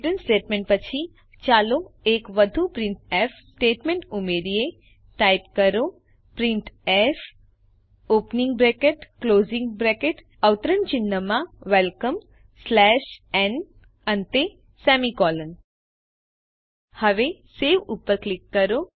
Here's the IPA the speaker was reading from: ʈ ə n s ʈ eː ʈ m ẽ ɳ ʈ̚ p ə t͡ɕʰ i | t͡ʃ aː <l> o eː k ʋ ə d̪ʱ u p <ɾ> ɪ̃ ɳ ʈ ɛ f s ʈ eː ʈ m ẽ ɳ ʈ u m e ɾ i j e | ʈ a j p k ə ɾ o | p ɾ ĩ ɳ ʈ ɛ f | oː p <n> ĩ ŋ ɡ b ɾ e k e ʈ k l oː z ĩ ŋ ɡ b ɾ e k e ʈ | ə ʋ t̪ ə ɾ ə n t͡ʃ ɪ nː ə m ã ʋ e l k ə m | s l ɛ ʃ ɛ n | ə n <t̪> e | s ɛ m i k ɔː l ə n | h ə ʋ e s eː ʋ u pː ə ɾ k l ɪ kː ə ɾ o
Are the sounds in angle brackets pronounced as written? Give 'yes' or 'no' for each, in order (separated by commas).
yes, yes, yes, yes